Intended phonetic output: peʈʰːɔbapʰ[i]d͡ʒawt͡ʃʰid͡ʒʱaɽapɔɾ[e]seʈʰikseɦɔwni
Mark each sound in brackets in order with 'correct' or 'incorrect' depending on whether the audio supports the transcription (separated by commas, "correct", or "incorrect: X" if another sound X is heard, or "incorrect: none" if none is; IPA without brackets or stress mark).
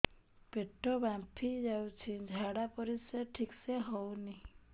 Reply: correct, incorrect: i